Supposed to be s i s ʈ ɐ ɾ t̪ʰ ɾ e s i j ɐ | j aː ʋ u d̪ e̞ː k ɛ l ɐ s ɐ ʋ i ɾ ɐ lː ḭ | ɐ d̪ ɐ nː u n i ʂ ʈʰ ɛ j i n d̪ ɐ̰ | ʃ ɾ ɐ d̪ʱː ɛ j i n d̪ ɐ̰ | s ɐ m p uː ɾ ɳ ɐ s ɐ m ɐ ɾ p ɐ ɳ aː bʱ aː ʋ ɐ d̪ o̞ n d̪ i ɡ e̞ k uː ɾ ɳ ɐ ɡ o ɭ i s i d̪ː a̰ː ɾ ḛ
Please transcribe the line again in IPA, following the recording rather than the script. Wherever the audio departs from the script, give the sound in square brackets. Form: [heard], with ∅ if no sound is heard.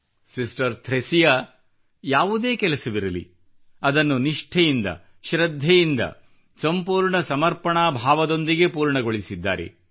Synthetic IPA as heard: s i s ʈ ɐ ɾ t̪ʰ ɾ e s i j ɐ | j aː ʋ u d̪ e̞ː k ɛ l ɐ s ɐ ʋ i ɾ ɐ [l] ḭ | ɐ d̪ ɐ nː u n i ʂ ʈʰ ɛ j i n d̪ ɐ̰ | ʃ ɾ ɐ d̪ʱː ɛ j i n d̪ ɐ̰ | s ɐ m p uː ɾ ɳ ɐ s ɐ m ɐ ɾ p ɐ ɳ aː bʱ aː ʋ ɐ d̪ o̞ n d̪ i ɡ e̞ [p] uː ɾ ɳ ɐ ɡ o ɭ i s i d̪ː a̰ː ɾ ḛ

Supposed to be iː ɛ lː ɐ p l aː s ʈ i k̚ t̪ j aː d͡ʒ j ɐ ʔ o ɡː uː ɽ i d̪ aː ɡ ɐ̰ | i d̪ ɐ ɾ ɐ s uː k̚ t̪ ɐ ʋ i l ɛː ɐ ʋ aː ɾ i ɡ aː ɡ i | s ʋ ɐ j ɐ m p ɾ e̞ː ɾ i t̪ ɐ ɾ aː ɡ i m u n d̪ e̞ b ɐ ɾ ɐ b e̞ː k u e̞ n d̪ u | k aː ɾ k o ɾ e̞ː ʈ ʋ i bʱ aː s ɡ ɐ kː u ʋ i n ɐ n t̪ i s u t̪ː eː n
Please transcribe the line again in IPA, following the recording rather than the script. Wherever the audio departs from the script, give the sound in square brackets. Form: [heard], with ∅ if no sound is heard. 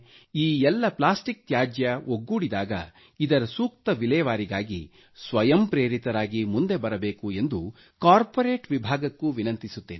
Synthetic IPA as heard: iː ɛ lː ɐ p l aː s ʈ i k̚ t̪ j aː d͡ʒ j ɐ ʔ o ɡː uː ɽ i d̪ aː ɡ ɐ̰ | i d̪ ɐ ɾ ɐ s uː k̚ t̪ ɐ ʋ i l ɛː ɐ ʋ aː ɾ i ɡ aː ɡ i | s ʋ ɐ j ɐ m p ɾ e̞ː ɾ i t̪ ɐ ɾ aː ɡ i m u n d̪ e̞ b ɐ ɾ ɐ b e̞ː k u e̞ n d̪ u | k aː ɾ [p] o ɾ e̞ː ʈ ʋ i bʱ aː [∅] ɡ ɐ kː u ʋ i n ɐ n t̪ i s u t̪ː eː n

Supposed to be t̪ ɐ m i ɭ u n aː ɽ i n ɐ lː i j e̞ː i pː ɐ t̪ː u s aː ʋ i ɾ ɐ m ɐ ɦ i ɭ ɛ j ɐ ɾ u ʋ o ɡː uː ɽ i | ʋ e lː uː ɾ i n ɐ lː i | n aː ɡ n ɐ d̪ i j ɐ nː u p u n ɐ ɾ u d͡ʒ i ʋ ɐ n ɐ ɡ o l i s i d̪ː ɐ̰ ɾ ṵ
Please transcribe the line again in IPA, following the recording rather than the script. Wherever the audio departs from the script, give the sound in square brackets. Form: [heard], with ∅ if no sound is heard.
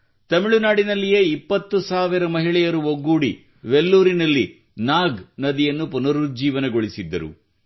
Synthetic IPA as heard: t̪ ɐ m i ɭ u n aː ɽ i n ɐ lː i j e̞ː i pː ɐ t̪ː u s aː ʋ i ɾ ɐ m ɐ ɦ i ɭ ɛ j ɐ ɾ u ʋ o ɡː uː ɽ i | ʋ e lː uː ɾ i n ɐ lː i | n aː ɡ n ɐ d̪ i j ɐ nː u p u n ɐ ɾ u d͡ʒ [iː] ʋ ɐ n ɐ ɡ o [ɭ] i s i d̪ː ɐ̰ ɾ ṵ

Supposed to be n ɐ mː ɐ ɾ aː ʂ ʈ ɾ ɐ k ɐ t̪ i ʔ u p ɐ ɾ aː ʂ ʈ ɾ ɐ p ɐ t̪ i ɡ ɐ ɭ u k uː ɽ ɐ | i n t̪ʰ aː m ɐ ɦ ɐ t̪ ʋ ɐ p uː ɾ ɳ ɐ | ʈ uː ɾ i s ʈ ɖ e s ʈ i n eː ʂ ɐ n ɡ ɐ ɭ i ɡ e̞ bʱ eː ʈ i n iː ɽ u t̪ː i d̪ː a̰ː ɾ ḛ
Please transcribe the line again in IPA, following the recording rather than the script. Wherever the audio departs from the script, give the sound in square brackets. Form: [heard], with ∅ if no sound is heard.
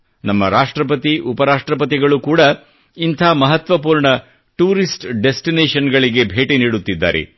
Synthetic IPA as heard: n ɐ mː ɐ ɾ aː ʂ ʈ ɾ ɐ [p] ɐ t̪ i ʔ u p ɐ ɾ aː ʂ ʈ ɾ ɐ p ɐ t̪ i ɡ ɐ ɭ u k uː ɽ ɐ | i n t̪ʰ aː m ɐ ɦ ɐ t̪ ʋ ɐ p uː ɾ ɳ ɐ | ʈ uː ɾ i s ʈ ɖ e s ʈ i n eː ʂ ɐ n ɡ ɐ ɭ i ɡ e̞ bʱ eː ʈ i n iː ɽ u t̪ː i d̪ː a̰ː ɾ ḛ

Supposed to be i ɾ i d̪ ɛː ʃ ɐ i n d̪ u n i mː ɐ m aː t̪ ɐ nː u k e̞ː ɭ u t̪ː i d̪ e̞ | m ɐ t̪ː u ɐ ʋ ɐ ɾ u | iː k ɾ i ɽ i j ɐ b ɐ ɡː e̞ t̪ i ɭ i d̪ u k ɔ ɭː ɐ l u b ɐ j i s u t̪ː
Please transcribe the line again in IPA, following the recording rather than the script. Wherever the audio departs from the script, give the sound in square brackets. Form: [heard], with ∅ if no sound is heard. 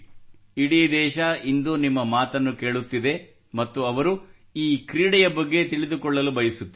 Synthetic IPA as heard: i [ɽ] i d̪ ɛː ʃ ɐ i n d̪ u n i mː ɐ m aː t̪ ɐ nː u k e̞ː ɭ u t̪ː i d̪ e̞ | m ɐ t̪ː u ɐ ʋ ɐ ɾ u | iː k ɾ [iː] ɽ [ɛ] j ɐ b ɐ ɡː e̞ t̪ i ɭ i d̪ u k ɔ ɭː ɐ l u b ɐ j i s u t̪ː

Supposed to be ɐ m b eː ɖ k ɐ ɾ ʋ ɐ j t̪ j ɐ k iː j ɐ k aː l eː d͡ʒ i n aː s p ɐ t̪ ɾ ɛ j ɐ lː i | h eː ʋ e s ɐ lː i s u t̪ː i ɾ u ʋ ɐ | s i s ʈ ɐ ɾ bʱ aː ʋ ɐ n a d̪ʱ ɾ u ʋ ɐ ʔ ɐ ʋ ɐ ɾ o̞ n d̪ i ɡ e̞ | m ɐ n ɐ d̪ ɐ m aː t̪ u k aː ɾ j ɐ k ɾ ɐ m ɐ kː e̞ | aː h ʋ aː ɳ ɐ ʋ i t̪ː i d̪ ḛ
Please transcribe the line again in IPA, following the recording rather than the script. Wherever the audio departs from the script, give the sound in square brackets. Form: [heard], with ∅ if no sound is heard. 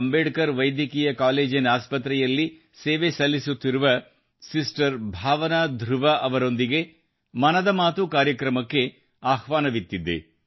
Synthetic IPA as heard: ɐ m b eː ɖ k ɐ ɾ ʋ ɐ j [d̪] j ɐ k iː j ɐ k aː l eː d͡ʒ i n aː s p ɐ t̪ ɾ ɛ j ɐ lː i | [s] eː ʋ e s ɐ lː i s u t̪ː i ɾ u ʋ ɐ | s i s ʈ ɐ ɾ bʱ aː ʋ ɐ n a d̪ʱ ɾ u ʋ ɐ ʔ ɐ ʋ ɐ ɾ o̞ n d̪ i ɡ e̞ | m ɐ n ɐ d̪ ɐ m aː t̪ u k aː ɾ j ɐ k ɾ ɐ m ɐ kː e̞ | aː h ʋ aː [n] ɐ ʋ i t̪ː i d̪ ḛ

